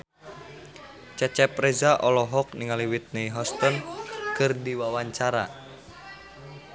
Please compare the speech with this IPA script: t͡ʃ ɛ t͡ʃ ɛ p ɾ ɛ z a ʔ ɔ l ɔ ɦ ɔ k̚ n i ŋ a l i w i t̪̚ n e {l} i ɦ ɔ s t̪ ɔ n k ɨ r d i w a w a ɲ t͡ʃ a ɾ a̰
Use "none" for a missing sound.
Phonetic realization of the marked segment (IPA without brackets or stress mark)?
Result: none